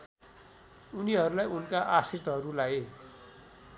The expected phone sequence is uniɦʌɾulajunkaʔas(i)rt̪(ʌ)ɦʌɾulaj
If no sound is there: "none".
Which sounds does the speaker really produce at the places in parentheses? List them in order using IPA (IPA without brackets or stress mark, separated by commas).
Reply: i, ʌ